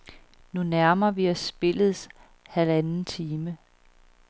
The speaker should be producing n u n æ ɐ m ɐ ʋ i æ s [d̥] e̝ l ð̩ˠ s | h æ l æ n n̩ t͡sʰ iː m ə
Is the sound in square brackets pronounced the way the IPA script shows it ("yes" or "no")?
no